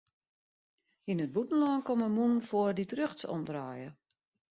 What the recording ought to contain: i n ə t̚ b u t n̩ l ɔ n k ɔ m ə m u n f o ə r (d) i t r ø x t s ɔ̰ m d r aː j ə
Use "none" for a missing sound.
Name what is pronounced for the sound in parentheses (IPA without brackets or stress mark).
d